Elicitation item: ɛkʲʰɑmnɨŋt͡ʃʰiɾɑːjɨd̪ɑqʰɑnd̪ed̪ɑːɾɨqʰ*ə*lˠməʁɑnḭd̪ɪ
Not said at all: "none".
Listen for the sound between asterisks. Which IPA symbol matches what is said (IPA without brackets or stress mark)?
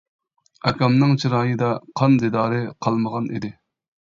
ɑ